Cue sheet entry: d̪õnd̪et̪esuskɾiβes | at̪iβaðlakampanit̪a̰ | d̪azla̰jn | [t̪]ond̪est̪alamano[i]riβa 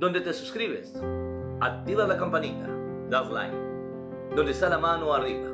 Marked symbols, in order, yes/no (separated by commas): no, no